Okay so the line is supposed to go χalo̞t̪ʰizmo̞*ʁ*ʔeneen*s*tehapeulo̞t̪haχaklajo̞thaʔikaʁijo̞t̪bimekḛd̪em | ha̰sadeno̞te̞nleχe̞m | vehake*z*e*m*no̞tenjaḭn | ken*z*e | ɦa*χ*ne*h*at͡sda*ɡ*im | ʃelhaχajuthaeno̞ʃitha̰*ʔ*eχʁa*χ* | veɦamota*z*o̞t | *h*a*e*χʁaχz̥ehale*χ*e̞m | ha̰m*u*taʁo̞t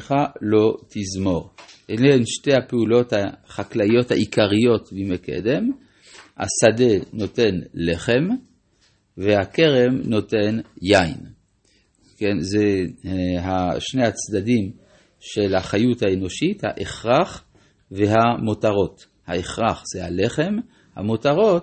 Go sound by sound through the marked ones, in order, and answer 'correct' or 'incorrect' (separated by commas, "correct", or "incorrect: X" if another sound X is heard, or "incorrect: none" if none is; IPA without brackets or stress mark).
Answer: correct, incorrect: ʃ, incorrect: ʁ, correct, correct, incorrect: ʃ, correct, incorrect: d, correct, correct, incorrect: ʁ, correct, correct, correct, incorrect: o